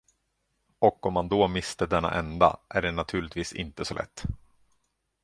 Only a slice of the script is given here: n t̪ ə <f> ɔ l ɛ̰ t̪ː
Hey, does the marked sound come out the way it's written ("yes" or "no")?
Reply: no